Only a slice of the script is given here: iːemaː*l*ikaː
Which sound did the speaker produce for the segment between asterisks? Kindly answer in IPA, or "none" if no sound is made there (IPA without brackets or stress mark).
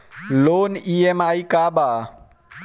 none